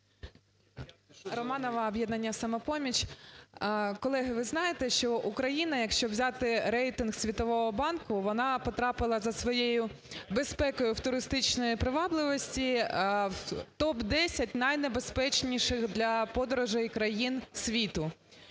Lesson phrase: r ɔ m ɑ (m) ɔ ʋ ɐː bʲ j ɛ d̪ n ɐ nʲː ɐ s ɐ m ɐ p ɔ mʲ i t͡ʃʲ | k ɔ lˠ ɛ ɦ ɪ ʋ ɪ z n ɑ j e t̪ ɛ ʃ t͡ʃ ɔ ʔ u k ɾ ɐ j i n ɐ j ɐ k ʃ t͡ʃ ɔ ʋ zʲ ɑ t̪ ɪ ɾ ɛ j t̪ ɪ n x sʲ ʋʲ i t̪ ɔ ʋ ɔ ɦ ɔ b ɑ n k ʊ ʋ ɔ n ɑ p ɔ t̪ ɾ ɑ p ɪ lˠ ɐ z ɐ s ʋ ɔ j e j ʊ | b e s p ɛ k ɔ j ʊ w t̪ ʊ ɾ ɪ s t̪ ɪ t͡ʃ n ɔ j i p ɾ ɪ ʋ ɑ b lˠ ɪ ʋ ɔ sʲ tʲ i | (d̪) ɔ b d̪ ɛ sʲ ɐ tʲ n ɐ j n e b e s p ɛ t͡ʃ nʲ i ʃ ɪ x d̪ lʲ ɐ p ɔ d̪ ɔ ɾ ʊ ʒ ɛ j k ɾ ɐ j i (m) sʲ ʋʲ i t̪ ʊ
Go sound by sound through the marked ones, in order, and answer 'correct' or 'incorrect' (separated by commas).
incorrect, incorrect, incorrect